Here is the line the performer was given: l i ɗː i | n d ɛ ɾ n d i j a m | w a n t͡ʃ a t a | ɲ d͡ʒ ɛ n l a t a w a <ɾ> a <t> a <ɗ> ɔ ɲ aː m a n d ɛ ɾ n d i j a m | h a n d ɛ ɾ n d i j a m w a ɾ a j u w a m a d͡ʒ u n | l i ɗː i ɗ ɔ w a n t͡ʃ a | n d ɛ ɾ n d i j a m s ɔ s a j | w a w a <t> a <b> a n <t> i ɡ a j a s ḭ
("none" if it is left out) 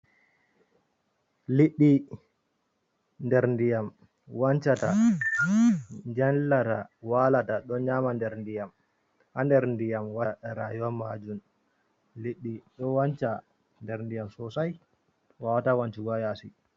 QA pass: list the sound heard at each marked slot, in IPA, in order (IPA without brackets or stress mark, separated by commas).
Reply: l, t, ɗ, t, w, t͡ʃ